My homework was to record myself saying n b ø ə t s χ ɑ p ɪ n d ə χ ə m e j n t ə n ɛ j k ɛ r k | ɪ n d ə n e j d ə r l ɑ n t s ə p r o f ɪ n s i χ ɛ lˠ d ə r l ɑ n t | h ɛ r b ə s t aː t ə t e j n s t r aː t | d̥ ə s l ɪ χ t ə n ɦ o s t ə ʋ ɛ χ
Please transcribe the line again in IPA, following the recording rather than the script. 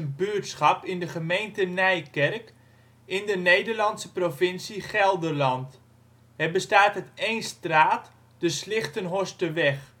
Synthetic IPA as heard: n b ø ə t s χ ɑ p ɪ n d ə χ ə m e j n t ə n ɛ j k ɛ r k | ɪ n d ə n e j d ə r l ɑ n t s ə p r o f ɪ n s i χ ɛ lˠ d ə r l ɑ n t | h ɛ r b ə s t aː t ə t e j n s t r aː t | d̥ ə s l ɪ χ t ə n ɦ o s t ə ʋ ɛ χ